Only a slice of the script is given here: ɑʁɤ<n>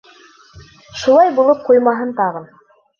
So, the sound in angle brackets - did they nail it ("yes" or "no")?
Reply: yes